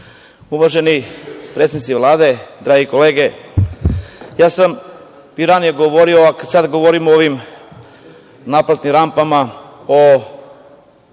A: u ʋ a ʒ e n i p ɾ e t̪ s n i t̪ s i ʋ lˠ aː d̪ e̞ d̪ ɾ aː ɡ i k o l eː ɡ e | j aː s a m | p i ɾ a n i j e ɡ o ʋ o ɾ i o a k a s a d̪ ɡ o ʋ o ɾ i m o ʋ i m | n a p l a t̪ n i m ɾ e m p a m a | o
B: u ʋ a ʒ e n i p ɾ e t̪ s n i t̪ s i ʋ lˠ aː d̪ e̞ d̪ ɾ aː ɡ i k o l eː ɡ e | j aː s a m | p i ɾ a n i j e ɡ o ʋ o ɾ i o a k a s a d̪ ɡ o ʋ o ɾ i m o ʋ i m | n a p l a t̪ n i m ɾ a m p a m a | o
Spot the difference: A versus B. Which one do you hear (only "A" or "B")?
B